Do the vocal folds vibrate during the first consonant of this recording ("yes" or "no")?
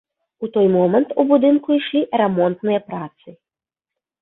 no